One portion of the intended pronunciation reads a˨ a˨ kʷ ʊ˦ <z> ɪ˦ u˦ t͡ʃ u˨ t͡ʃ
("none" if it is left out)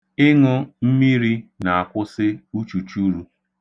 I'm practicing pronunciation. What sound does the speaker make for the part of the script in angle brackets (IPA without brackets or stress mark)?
s